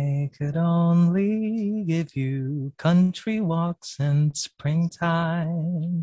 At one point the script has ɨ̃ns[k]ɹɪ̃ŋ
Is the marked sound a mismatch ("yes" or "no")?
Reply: yes